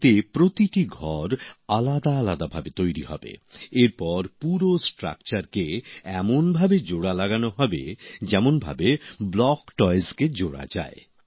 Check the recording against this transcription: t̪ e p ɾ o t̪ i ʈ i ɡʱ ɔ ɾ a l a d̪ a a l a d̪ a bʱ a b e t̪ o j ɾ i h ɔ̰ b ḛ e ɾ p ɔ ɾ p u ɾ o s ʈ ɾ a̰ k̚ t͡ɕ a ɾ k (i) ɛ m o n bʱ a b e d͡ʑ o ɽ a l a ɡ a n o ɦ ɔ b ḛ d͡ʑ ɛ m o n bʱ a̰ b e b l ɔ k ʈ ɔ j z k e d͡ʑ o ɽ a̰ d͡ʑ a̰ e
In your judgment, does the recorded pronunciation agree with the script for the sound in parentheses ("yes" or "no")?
no